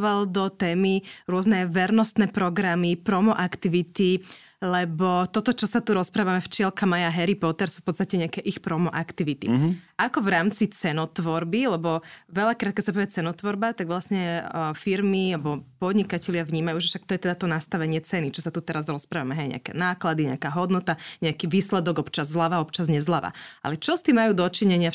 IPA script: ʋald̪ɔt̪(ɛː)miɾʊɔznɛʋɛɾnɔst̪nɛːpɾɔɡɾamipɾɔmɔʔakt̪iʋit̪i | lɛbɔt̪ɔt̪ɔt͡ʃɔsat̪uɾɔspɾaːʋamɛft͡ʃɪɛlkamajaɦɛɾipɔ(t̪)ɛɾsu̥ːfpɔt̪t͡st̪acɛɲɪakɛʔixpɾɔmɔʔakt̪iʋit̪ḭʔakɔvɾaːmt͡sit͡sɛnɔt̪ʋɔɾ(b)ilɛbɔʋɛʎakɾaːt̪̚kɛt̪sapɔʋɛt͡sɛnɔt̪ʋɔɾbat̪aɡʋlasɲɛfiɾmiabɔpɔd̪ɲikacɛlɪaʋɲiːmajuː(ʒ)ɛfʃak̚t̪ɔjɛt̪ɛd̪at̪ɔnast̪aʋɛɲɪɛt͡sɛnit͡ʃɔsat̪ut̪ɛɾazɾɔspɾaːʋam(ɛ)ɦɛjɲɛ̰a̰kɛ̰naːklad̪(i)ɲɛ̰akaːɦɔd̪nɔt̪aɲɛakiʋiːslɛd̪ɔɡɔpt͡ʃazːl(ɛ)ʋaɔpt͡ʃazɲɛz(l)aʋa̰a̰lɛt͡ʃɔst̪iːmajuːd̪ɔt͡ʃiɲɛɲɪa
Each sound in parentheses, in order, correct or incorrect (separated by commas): correct, correct, correct, correct, correct, correct, incorrect, correct